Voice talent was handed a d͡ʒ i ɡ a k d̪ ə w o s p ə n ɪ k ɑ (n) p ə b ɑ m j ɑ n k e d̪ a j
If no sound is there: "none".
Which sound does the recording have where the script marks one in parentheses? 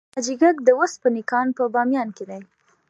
n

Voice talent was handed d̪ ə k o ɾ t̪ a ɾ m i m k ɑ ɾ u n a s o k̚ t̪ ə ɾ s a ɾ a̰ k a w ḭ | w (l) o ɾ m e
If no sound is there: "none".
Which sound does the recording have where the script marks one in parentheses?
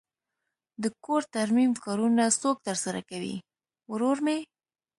ɾ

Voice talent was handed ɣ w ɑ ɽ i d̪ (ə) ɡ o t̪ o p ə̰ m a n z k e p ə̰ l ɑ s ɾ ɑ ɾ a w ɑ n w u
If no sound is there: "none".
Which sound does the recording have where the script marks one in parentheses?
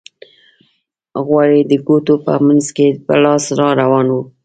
ə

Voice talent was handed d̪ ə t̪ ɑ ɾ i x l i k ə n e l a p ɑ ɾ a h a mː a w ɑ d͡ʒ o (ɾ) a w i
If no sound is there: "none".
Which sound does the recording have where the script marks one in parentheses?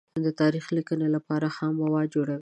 ɽ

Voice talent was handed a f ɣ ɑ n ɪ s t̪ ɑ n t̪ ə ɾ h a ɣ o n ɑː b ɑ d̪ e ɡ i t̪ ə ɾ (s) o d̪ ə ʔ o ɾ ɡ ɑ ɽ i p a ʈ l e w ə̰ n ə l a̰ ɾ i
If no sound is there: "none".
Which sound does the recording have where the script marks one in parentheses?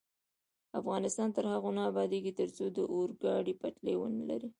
t͡s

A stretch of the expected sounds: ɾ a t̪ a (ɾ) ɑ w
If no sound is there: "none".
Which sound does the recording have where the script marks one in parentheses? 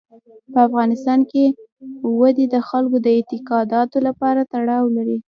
ɽ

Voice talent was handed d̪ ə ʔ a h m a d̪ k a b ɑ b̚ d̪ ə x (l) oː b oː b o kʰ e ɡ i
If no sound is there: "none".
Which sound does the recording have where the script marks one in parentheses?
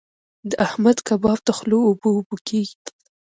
l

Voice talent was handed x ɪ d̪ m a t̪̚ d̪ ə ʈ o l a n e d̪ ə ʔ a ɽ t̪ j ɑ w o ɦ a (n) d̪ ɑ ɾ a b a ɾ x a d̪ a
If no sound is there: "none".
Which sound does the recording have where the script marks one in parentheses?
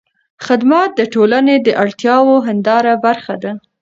n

